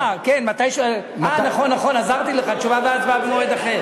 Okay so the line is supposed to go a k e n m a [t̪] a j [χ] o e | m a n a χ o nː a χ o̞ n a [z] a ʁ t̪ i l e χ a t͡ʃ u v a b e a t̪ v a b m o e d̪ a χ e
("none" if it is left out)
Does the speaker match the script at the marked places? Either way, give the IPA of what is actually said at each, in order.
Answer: t̪, ʃ, z

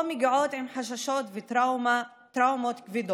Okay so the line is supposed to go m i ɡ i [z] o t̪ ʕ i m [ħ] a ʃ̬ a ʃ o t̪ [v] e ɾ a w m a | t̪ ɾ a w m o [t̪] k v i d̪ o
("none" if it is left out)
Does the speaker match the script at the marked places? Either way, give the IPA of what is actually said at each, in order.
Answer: ʕ, ħ, v, t̪

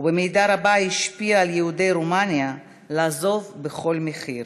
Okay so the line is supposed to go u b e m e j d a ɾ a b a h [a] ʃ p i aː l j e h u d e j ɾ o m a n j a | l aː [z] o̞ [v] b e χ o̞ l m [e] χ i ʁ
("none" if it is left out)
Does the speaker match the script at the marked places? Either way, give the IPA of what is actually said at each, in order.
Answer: i, z, v, e

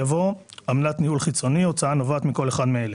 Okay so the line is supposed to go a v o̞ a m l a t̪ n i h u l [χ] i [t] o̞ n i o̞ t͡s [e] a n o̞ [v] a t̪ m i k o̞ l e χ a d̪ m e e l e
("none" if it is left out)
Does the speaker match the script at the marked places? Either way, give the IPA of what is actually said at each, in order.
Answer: χ, t͡s, a, v

